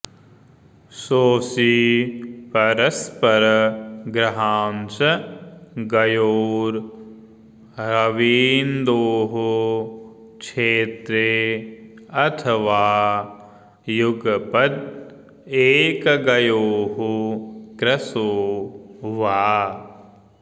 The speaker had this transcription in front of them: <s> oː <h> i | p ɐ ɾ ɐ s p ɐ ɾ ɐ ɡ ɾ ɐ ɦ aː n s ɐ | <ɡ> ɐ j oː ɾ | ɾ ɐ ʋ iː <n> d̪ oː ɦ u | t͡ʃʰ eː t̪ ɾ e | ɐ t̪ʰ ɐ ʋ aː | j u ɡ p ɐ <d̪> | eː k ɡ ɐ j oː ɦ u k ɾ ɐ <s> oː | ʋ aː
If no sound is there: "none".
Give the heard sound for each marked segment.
s, s, ɡ, n, d̪, s

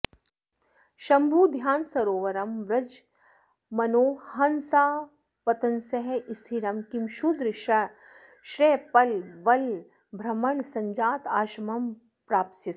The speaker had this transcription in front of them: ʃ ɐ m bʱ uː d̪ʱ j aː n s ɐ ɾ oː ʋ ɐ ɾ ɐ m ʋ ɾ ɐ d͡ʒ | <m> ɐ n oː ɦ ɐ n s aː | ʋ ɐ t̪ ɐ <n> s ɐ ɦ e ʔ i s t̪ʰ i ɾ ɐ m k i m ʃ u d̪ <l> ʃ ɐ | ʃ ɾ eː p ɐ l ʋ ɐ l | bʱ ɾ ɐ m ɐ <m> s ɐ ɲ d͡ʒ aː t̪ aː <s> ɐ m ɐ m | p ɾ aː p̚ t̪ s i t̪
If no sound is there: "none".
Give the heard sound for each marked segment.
m, n, ɾ, ɳ, ʃ

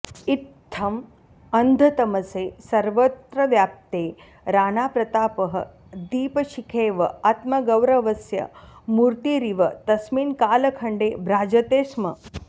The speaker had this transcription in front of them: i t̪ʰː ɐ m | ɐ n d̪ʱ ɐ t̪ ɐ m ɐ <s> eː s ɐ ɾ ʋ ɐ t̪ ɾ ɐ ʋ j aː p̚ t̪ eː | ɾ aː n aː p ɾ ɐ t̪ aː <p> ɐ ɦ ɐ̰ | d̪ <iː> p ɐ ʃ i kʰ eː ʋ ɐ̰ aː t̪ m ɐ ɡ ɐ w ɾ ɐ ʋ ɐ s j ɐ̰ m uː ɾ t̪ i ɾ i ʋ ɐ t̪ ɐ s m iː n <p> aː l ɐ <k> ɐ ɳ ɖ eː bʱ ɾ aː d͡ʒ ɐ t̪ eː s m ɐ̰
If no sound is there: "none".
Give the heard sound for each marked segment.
s, p, iː, k, kʰ

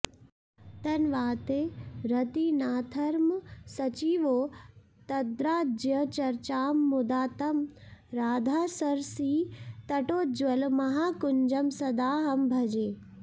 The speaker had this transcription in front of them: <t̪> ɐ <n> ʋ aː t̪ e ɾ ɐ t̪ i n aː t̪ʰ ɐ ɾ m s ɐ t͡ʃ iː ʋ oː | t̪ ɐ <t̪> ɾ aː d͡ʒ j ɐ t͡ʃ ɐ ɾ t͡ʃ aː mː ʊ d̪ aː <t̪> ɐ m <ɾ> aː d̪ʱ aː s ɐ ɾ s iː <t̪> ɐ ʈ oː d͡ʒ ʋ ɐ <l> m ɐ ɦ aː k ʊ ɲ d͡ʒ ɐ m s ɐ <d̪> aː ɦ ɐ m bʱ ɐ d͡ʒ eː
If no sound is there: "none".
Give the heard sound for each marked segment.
t̪, n, d̪, t̪, ɾ, t̪, l, d̪

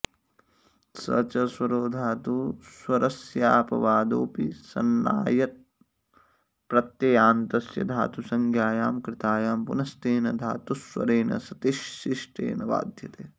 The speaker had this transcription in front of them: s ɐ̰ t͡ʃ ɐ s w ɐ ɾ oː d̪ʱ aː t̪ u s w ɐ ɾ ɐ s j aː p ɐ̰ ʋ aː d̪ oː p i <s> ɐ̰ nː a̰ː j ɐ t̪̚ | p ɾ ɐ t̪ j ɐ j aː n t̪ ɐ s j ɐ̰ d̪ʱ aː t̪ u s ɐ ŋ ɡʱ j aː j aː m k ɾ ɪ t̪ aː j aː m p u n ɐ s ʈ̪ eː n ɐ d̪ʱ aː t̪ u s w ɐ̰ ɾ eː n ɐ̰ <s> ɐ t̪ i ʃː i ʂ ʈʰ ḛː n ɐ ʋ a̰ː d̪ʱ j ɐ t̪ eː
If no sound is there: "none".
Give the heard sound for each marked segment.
s, s

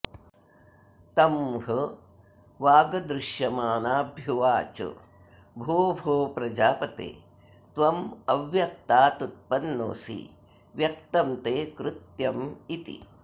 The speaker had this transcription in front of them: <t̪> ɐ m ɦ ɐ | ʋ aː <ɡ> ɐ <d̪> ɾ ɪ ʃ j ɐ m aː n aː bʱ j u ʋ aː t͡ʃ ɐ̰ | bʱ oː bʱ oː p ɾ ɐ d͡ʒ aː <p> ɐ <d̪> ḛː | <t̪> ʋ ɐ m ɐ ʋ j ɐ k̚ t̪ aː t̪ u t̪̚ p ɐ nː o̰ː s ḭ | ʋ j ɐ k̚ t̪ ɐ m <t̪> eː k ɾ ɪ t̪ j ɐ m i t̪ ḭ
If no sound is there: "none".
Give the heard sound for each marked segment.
t̪, ɡ, d̪, p, t̪, t̪, t̪

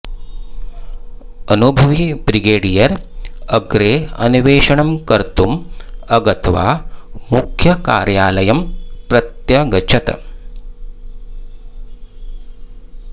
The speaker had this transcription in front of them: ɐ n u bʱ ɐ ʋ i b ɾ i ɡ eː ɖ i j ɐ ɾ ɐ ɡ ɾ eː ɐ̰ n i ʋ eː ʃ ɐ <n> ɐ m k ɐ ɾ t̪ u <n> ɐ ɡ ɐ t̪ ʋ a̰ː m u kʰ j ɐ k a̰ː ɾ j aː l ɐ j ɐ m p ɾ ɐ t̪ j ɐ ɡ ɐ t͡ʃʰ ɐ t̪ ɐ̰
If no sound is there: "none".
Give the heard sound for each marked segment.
ɳ, m

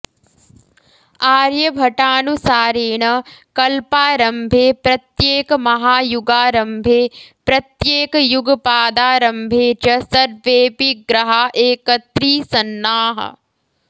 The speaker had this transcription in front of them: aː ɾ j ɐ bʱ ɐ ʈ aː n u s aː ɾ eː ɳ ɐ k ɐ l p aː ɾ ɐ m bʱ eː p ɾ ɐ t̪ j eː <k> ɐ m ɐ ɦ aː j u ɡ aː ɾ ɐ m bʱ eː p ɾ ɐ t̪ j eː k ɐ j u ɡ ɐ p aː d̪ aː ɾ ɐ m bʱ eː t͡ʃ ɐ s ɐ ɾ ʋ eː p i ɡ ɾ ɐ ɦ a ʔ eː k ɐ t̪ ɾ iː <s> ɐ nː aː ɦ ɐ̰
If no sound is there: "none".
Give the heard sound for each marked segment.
k, s

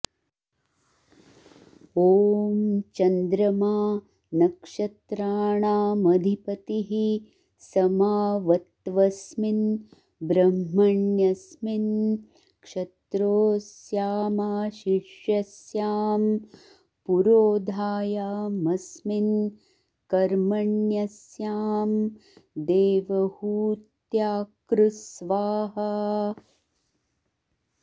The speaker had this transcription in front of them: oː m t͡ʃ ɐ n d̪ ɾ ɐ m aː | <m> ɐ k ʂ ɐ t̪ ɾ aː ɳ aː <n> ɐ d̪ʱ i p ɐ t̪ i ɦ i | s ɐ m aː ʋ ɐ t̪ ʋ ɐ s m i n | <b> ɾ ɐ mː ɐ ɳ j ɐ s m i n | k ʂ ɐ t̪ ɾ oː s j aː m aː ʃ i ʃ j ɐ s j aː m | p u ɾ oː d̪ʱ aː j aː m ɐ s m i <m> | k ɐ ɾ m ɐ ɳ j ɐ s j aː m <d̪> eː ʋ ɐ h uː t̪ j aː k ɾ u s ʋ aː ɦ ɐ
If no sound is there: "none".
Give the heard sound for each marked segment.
n, m, b, n, d̪

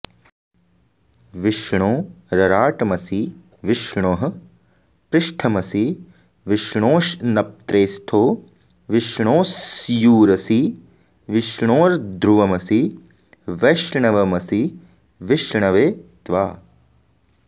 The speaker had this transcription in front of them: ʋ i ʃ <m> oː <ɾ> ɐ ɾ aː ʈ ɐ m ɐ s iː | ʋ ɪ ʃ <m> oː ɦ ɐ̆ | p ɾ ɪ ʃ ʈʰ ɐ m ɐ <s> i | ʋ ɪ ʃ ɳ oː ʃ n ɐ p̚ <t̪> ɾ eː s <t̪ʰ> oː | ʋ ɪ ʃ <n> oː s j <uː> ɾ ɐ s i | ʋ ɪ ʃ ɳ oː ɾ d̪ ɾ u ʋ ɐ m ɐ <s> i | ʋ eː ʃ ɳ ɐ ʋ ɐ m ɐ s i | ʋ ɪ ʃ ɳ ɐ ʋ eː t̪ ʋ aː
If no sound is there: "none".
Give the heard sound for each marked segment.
ɳ, ɾ, ɳ, s, t̪, t̪ʰ, ɳ, uː, s

